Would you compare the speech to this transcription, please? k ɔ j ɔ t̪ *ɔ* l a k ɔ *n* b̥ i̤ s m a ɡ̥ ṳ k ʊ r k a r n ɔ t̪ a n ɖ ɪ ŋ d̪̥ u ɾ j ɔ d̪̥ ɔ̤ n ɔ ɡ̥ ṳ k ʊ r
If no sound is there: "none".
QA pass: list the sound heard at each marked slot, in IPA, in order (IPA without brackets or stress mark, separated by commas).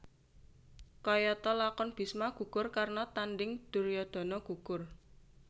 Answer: ɔ, n